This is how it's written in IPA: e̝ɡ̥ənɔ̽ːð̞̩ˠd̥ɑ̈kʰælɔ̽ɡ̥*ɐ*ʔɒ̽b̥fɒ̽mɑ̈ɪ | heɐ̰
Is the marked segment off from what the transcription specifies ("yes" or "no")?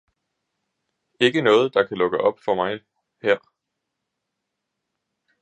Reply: yes